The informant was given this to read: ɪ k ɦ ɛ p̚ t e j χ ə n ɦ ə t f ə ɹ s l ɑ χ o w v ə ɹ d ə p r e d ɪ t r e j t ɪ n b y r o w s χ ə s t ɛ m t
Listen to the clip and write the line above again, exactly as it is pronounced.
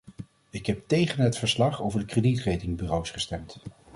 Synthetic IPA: ɪ k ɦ ɛ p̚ t e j χ ə n ɦ ə t f ə ɹ s l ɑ χ o w v ə ɹ d ə k r e d i t r e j t ɪ ŋ b y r o w s χ ə s t ɛ m t